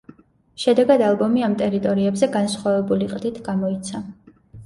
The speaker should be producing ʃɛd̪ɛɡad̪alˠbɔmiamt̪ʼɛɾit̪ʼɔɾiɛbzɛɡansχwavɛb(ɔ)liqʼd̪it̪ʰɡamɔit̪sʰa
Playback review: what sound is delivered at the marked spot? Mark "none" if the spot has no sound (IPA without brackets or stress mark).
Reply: u